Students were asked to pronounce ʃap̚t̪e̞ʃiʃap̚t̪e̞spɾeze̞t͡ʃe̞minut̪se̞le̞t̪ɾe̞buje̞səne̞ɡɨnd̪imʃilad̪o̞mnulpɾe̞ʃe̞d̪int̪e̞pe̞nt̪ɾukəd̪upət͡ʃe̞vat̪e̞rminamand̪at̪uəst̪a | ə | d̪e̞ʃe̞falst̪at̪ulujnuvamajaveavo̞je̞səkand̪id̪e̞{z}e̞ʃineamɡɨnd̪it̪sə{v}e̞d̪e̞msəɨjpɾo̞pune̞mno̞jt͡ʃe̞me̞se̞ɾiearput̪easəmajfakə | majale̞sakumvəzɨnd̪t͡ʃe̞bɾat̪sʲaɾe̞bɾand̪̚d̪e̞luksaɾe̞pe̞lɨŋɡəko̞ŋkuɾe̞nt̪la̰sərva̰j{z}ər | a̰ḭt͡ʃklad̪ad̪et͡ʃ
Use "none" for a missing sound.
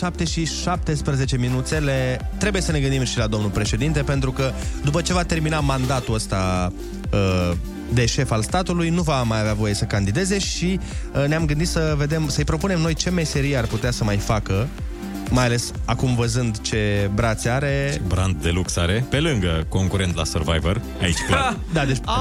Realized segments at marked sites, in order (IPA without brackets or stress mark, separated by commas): z, v, v